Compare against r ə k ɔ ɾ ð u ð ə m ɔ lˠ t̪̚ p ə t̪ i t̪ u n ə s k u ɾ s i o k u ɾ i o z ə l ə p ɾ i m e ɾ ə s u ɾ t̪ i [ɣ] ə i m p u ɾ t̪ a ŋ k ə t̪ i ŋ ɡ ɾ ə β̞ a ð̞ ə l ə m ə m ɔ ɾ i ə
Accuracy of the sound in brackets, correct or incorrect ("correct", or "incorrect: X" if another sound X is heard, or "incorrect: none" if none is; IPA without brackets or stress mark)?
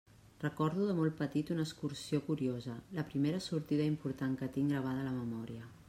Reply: incorrect: ð